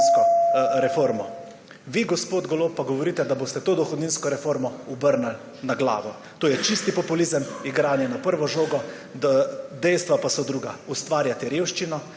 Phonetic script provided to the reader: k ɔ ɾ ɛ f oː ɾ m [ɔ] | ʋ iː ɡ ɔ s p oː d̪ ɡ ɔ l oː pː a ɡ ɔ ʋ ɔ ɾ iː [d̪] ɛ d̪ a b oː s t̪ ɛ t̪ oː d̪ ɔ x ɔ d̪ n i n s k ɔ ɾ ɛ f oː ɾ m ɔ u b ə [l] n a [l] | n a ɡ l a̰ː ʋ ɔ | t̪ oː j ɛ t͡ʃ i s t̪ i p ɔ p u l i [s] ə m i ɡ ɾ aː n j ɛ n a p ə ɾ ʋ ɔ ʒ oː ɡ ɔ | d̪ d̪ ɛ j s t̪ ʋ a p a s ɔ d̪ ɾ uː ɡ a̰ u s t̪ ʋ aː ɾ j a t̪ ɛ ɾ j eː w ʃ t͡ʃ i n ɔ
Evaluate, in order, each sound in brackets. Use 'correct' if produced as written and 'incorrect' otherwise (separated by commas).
correct, incorrect, incorrect, correct, incorrect